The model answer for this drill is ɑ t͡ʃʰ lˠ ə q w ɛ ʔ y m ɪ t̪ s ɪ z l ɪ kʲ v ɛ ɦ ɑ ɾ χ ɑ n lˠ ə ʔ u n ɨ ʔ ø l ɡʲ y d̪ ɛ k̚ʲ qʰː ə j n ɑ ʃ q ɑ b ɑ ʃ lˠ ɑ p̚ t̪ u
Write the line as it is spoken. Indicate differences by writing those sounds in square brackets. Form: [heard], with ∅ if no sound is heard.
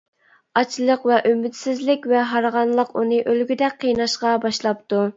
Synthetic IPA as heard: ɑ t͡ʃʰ lˠ ə q [v] ɛ ʔ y m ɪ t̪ s ɪ z l ɪ kʲ v ɛ ɦ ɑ ɾ [ʁ] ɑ n lˠ ə [q] u n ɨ ʔ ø l ɡʲ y d̪ ɛ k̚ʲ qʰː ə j n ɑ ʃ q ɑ b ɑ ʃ lˠ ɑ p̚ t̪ u